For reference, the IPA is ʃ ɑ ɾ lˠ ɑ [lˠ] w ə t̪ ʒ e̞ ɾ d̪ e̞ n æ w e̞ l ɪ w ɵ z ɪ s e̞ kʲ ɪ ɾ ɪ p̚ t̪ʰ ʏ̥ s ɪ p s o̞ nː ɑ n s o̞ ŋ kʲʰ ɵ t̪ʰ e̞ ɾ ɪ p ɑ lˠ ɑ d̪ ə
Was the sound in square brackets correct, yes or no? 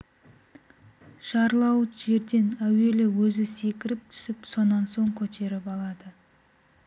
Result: no